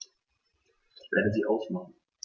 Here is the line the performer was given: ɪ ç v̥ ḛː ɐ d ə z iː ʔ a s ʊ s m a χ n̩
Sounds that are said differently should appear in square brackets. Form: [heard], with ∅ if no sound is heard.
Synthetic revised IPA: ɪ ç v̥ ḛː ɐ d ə z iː ʔ a [∅] ʊ s m a χ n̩